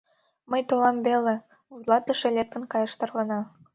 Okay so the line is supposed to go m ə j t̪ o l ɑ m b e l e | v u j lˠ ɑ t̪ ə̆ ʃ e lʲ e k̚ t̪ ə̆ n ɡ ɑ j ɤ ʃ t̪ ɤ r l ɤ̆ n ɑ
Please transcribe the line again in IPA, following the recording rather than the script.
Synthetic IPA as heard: m ə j t̪ o l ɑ m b e l e | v u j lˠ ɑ t̪ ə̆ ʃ e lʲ e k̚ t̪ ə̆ n k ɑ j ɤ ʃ t̪ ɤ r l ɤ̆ n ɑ